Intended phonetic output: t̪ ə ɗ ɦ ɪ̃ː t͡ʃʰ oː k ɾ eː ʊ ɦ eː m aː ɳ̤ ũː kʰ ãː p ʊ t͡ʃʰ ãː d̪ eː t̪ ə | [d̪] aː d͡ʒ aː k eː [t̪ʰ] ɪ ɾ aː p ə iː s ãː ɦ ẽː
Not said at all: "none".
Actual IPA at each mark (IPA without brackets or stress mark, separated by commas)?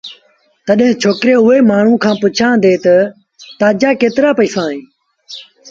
t̪, t̪